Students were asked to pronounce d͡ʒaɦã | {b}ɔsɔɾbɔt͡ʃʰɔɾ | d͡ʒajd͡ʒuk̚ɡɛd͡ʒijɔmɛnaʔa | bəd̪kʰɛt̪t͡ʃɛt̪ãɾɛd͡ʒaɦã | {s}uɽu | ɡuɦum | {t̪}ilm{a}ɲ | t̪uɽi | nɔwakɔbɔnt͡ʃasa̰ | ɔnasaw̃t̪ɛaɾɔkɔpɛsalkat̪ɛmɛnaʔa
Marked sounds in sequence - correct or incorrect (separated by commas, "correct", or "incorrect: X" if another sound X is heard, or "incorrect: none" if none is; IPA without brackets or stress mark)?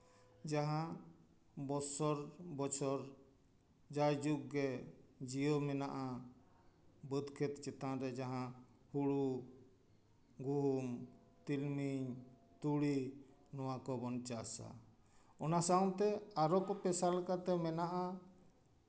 correct, incorrect: h, correct, incorrect: i